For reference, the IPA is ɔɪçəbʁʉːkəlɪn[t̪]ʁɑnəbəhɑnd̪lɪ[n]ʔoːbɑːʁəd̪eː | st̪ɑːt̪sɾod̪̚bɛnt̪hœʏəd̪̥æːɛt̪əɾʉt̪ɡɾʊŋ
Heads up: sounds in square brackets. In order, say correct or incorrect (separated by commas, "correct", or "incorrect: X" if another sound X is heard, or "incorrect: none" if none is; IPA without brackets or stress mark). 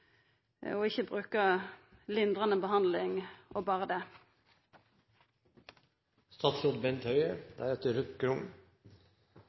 incorrect: d̪, incorrect: ŋ